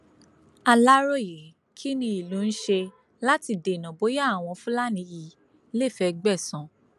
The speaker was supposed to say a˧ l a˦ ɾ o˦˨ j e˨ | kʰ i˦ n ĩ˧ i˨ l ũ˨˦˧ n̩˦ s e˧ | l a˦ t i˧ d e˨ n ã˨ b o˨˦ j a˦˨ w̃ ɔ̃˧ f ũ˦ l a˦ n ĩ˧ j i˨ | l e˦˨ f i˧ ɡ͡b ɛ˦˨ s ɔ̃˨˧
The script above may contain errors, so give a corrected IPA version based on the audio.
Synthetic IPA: a˧ l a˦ ɾ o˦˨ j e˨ | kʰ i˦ n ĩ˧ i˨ l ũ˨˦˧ n̩˦ ʃ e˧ | l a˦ t i˧ d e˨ n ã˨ b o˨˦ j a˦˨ w̃ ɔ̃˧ f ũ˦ l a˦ n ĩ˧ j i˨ | l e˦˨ f ɛ˧ ɡ͡b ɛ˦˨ s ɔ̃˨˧